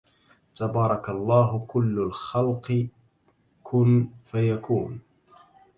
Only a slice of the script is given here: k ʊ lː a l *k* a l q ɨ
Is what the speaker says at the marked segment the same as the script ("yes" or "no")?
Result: no